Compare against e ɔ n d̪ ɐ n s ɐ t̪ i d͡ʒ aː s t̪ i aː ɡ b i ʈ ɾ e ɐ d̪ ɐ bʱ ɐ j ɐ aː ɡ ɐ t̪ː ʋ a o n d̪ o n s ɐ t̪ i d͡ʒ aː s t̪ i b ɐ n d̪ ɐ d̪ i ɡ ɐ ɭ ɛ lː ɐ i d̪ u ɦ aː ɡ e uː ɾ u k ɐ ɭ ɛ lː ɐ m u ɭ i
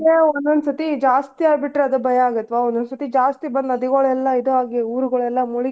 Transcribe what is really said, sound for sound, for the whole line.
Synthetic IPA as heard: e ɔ n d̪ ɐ n s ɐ t̪ i d͡ʒ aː s t̪ i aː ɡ b i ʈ ɾ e ɐ d̪ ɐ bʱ ɐ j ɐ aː ɡ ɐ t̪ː ʋ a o n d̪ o n s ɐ t̪ i d͡ʒ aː s t̪ i b ɐ n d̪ ɐ d̪ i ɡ ɐ ɭ ɛ lː ɐ i d̪ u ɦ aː ɡ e uː ɾ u ɡ ɐ ɭ ɛ lː ɐ m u ɭ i

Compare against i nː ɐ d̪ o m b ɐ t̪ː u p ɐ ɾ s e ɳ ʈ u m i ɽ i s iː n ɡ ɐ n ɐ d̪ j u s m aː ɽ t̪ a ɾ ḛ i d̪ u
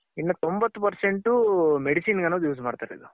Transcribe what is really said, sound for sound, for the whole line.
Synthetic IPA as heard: i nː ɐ t̪ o m b ɐ t̪ː u p ɐ ɾ s e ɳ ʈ u m e ɽ i s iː n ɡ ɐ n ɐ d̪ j uː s m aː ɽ t̪ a ɾ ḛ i d̪ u

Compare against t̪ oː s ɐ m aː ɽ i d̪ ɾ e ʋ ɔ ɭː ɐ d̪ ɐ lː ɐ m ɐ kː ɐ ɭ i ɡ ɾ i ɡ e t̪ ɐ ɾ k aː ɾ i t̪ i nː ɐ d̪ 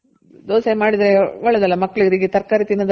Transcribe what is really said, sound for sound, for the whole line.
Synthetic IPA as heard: d̪ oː s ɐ m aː ɽ i d̪ ɾ e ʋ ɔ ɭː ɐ d̪ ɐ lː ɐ m ɐ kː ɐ ɭ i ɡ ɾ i ɡ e t̪ ɐ ɾ k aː ɾ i t̪ i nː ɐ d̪

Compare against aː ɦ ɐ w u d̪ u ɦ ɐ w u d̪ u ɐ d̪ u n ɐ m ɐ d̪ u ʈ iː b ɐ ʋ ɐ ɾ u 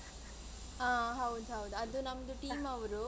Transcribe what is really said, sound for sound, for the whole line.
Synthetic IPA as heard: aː ɦ ɐ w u d̪ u ɦ ɐ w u d̪ u ɐ d̪ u n ɐ m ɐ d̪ u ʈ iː m ɐ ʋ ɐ ɾ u

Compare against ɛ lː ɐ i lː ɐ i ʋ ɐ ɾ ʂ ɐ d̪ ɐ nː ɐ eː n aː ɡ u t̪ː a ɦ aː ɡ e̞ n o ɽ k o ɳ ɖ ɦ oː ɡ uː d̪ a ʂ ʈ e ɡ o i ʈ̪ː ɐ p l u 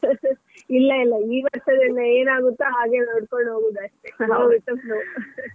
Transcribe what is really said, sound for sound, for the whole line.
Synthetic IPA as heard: i lː ɐ i lː ɐ iː ʋ ɐ ɾ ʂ ɐ d̪ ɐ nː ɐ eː n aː ɡ u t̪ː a ɦ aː ɡ e̞ n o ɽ k o ɳ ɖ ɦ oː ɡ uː d̪ ɐ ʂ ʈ e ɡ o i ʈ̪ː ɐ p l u

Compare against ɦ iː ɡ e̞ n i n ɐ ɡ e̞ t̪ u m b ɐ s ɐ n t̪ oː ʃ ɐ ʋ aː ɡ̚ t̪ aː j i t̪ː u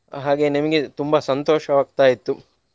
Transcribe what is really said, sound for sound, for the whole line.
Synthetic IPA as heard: ɦ aː ɡ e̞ n i m ɐ ɡ e̞ t̪ u m b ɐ s ɐ n t̪ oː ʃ ɐ ʋ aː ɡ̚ t̪ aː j i t̪ː u

